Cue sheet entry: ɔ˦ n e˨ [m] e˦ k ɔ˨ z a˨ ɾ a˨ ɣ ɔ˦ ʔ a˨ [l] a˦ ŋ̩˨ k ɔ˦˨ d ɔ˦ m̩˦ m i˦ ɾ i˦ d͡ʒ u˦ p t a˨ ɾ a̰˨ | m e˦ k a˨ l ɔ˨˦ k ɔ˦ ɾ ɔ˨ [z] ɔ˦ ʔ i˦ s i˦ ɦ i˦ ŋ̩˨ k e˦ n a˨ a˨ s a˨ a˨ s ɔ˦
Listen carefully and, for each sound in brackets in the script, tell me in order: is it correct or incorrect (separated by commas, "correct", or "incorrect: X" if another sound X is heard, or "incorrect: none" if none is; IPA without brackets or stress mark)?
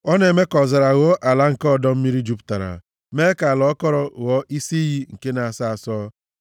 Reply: correct, correct, incorrect: ɣ